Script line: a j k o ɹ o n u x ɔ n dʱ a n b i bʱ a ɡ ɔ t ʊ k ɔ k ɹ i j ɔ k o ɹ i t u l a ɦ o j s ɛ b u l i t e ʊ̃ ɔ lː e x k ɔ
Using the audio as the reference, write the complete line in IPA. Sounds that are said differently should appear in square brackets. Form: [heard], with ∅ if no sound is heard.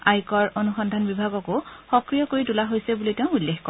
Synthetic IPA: a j k [ɔ] ɹ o n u x ɔ n dʱ a n b i bʱ a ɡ ɔ [k] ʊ [x] ɔ k ɹ i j ɔ k o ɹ i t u l a ɦ o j s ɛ b u l i t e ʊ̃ [u] lː e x k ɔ